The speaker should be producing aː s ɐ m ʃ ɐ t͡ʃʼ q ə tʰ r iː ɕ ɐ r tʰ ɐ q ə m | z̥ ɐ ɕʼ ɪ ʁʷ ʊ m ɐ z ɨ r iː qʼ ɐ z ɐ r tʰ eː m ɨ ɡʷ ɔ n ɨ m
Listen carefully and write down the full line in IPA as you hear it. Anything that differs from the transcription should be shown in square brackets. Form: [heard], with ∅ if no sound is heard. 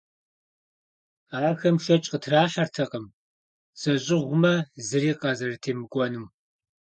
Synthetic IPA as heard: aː [x] ɐ m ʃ ɐ t͡ʃʼ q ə tʰ r [aː] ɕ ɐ r tʰ ɐ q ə m | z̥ ɐ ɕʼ ɪ ʁʷ ʊ m ɐ z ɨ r iː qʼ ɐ z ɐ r tʰ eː m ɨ ɡʷ ɔ n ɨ m